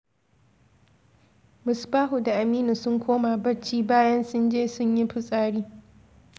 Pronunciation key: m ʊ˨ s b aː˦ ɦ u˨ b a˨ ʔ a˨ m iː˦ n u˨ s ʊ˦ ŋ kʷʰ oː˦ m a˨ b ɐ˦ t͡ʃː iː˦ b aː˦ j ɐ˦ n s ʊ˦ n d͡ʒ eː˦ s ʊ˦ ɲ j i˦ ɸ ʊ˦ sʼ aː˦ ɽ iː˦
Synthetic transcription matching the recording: m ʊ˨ s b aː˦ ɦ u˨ d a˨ ʔ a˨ m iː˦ n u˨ s ʊ˦ ŋ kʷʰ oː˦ m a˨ b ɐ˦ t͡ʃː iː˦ b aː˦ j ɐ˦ n s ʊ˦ n d͡ʒ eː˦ s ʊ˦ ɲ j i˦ ɸ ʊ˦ sʼ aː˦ ɽ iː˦